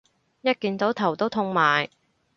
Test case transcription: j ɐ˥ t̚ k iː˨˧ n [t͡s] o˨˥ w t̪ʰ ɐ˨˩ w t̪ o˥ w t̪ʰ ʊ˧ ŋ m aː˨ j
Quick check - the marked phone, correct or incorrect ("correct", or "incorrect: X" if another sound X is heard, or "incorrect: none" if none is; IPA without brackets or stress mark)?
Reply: correct